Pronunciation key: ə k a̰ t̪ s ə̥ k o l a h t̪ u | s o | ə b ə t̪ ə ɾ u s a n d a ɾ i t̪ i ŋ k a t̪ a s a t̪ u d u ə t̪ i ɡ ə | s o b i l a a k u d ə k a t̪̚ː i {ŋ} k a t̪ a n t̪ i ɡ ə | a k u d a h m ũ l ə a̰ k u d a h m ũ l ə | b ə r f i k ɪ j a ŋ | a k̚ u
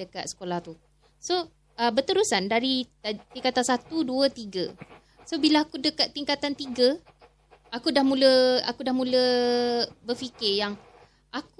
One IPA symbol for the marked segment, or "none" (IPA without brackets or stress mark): ŋ